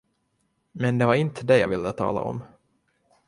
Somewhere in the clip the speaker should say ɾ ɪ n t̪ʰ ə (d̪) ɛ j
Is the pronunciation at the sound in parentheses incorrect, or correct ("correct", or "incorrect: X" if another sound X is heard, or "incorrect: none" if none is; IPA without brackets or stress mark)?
correct